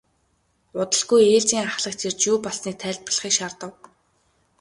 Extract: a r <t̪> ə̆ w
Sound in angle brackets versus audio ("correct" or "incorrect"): correct